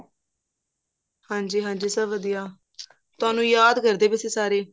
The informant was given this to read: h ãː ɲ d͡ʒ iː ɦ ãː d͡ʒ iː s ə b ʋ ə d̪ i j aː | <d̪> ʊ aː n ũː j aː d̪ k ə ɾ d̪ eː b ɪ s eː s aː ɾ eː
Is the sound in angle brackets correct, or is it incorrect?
incorrect